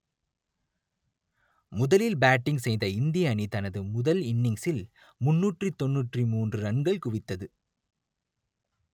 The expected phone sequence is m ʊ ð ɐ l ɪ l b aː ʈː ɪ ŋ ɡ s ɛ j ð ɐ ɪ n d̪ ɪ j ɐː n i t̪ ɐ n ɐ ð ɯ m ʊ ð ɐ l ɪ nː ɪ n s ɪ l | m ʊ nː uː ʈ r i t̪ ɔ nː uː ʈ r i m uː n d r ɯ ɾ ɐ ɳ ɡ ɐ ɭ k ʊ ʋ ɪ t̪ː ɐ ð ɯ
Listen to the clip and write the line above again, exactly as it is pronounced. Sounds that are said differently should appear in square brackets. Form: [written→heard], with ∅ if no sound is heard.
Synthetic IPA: m ʊ ð ɐ l ɪ l b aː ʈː ɪ ŋ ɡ s ɛ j ð ɐ ɪ n d̪ ɪ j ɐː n i t̪ ɐ n ɐ ð ɯ m ʊ ð ɐ l ɪ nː ɪ [n→ŋ] s ɪ l | m ʊ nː uː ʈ r i t̪ ɔ nː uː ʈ r i m uː n d r ɯ ɾ ɐ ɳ ɡ ɐ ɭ k ʊ ʋ ɪ t̪ː ɐ ð ɯ